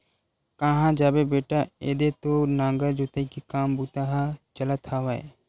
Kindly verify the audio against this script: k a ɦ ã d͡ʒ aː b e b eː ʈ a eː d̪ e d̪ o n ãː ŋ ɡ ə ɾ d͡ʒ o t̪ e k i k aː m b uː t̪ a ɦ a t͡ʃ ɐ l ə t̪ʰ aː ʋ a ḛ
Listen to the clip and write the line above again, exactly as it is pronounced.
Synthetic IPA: k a ɦ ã d͡ʒ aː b e b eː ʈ a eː d̪ e t̪ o n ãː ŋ ɡ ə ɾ d͡ʒ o t̪ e k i k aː m b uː t̪ a ɦ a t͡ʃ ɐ l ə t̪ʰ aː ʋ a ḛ